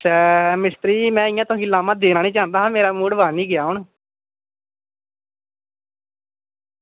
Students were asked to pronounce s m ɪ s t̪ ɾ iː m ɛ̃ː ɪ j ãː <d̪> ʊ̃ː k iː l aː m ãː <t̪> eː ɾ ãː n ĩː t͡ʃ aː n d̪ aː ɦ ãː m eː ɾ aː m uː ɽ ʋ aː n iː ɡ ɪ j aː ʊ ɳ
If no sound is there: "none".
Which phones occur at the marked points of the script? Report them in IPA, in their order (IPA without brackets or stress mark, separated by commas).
t̪, d̪